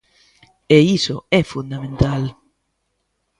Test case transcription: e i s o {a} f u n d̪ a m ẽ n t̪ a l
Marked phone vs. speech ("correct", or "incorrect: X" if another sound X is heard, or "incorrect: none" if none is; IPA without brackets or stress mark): incorrect: ɛ